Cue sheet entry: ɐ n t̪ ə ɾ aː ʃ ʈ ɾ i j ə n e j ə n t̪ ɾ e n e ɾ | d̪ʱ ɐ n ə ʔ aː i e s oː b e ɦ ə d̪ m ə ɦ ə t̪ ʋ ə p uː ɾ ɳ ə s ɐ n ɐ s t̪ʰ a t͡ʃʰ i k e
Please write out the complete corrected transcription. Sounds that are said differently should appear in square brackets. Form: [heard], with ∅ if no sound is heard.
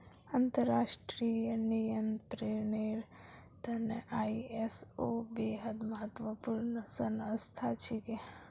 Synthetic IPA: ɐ n t̪ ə ɾ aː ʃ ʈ ɾ i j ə n [i] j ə n t̪ ɾ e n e ɾ | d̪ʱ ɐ n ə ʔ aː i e s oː b e ɦ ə d̪ m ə ɦ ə t̪ ʋ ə p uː ɾ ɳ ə s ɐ n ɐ s t̪ʰ a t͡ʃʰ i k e